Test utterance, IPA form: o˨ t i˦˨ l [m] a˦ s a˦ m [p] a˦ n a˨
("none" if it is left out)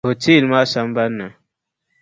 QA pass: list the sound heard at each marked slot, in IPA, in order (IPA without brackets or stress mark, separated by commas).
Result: m, b